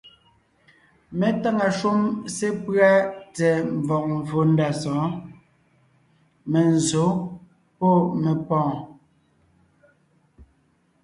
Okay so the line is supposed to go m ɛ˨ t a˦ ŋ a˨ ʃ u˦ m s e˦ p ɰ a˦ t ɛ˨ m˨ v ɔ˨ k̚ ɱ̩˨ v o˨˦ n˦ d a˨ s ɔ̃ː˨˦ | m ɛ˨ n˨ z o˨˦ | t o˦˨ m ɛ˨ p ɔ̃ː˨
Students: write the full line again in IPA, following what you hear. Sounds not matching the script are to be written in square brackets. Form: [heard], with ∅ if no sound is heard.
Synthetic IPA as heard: m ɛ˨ t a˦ ŋ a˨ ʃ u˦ m s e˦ p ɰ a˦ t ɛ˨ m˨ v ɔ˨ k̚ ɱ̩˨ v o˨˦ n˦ d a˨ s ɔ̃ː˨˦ | m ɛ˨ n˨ z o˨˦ | [p] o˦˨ m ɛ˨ p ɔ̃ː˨